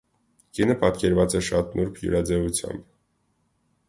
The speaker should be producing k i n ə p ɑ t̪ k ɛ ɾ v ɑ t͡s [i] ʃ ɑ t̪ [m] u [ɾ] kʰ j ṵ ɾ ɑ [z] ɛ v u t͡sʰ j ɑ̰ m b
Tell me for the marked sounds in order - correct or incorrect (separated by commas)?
incorrect, incorrect, correct, incorrect